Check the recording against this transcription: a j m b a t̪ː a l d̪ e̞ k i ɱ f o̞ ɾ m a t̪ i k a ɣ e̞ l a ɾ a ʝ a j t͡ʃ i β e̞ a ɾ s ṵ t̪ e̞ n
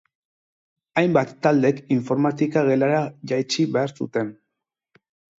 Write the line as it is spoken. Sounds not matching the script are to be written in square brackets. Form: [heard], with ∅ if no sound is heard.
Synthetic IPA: a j m b a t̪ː a l d̪ e̞ k i ɱ f o̞ ɾ m a t̪ i k a ɣ e̞ l a ɾ a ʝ a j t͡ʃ i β e̞ a ɾ s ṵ t̪ e̞ n